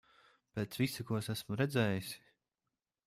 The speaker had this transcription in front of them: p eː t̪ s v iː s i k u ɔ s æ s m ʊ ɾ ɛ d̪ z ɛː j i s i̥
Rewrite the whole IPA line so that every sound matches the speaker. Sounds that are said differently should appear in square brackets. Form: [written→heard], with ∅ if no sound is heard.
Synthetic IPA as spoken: p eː t̪ s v [iː→i] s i k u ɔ s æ s m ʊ ɾ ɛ d̪ z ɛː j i s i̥